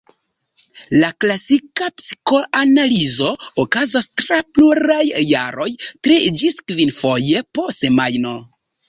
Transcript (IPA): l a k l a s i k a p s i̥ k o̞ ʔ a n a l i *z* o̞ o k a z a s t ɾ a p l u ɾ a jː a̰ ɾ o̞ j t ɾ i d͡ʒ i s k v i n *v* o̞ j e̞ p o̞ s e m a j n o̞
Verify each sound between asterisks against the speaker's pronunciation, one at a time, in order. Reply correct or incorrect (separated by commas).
correct, incorrect